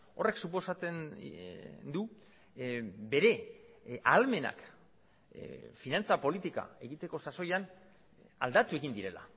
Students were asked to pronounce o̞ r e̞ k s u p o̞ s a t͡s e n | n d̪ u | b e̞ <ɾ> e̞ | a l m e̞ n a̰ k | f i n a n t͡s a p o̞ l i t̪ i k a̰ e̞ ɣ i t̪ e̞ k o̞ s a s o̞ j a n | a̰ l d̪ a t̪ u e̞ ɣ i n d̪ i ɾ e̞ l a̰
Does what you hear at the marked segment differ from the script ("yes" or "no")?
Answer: no